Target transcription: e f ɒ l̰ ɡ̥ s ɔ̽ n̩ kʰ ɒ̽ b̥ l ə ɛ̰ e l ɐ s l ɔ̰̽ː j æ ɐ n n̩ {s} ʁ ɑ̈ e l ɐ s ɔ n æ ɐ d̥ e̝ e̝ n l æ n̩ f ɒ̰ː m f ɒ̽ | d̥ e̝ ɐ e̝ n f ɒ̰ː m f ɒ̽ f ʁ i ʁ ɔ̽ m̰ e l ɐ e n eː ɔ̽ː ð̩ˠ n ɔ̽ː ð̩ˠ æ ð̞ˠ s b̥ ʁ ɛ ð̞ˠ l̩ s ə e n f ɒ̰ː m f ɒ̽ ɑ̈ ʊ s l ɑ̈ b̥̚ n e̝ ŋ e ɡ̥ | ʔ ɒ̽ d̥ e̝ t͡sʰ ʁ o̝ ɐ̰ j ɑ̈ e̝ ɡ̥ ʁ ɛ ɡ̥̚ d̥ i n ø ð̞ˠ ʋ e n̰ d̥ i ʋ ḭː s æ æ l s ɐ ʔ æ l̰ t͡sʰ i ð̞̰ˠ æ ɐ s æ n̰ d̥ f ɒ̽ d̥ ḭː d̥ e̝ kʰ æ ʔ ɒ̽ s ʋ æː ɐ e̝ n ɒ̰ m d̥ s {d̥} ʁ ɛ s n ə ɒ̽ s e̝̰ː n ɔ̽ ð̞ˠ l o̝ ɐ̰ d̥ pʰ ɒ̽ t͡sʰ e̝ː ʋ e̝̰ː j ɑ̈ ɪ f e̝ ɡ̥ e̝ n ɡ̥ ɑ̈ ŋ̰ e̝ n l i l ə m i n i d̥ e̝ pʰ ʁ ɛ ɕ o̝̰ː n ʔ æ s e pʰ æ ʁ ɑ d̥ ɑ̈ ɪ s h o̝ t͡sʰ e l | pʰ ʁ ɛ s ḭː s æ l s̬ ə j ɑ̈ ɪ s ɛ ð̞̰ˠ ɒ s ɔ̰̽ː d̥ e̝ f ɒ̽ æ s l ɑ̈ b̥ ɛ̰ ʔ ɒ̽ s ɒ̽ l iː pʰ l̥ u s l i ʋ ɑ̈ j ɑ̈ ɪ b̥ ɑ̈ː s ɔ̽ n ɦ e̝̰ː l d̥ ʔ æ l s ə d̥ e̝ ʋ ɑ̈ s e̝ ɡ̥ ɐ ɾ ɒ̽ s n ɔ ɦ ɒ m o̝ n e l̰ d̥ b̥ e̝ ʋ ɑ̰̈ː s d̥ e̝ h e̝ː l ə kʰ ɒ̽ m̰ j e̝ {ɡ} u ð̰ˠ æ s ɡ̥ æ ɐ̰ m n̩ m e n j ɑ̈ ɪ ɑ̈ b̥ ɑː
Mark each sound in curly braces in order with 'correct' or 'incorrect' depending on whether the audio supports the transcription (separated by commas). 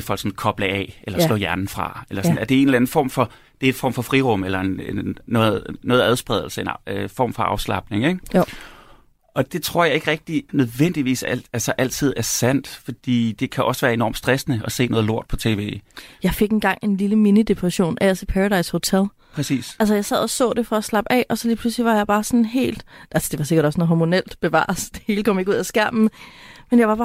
incorrect, correct, correct